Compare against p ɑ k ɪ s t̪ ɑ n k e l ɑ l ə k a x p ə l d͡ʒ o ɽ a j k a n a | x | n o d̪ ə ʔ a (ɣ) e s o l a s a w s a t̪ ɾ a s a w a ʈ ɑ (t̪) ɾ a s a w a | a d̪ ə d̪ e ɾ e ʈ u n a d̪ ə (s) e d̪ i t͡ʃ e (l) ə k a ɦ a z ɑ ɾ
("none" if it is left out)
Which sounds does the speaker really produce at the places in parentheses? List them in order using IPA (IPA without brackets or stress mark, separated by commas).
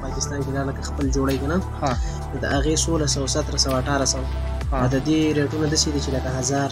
ɣ, none, s, l